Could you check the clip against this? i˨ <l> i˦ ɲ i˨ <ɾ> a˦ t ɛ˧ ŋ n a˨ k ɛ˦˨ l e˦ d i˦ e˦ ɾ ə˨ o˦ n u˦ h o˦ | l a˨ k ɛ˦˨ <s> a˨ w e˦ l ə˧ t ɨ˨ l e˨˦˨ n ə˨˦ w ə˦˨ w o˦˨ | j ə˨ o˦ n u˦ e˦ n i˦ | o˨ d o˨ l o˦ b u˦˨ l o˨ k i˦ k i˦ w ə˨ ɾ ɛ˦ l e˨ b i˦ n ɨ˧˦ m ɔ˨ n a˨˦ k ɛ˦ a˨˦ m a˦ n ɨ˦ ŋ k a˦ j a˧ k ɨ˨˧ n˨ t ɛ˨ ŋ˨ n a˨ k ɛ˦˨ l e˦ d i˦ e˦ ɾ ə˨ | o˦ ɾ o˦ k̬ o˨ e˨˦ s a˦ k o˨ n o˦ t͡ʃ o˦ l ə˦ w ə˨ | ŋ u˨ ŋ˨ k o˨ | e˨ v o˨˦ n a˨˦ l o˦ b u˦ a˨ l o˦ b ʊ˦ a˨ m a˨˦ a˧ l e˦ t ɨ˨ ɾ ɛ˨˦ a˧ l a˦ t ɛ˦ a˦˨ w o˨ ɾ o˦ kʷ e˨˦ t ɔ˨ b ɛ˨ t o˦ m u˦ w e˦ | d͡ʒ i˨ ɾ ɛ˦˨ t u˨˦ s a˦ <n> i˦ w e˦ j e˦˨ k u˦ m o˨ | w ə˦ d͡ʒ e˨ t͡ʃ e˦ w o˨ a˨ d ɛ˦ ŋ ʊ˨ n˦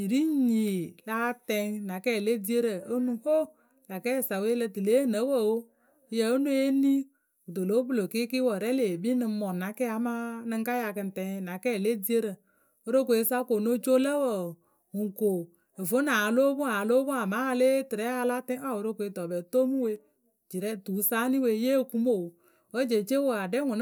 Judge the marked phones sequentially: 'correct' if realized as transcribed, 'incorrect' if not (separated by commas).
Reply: incorrect, incorrect, correct, correct